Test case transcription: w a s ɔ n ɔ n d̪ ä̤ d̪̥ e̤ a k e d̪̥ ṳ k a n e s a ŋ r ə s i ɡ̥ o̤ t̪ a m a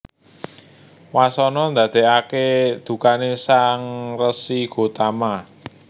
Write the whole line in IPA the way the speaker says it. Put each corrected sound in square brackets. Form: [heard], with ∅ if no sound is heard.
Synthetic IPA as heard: w a s ɔ n ɔ n d̪ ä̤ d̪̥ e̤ a k e d̪̥ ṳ k a n e s a ŋ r ə s i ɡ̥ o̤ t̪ a m a